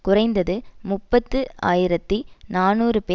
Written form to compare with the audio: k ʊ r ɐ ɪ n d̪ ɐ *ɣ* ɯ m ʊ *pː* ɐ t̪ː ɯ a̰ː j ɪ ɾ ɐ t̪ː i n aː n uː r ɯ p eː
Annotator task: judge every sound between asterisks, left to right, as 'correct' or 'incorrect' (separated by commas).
incorrect, correct